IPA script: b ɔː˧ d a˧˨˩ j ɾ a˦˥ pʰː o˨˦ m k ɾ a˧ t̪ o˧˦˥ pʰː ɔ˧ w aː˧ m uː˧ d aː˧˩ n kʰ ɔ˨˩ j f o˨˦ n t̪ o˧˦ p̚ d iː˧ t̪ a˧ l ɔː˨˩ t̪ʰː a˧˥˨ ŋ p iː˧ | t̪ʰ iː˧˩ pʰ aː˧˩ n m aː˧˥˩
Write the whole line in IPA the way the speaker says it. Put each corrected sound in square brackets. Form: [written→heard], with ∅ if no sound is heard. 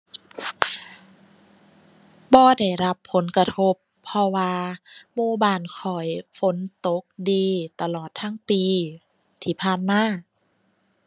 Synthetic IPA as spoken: b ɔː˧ d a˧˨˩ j ɾ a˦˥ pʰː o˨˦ [m→n] k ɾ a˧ [t̪→t̪ʰ] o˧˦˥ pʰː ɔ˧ w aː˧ m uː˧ [d→b] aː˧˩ n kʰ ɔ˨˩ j f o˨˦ n t̪ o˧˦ [p̚→k̚] d iː˧ t̪ a˧ l ɔː˨˩ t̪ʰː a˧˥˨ ŋ p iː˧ | t̪ʰ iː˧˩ pʰ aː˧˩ n m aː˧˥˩